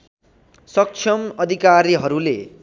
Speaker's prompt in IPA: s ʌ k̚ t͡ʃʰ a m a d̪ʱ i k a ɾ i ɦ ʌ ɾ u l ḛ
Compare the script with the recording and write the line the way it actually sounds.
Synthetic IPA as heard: s ʌ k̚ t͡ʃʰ ʌ m ʌ d̪ʱ i k a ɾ i ɦ ʌ ɾ u l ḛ